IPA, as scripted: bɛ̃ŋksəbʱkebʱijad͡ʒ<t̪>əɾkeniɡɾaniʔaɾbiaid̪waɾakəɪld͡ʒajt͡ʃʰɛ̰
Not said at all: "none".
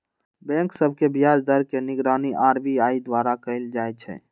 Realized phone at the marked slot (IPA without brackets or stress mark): d̪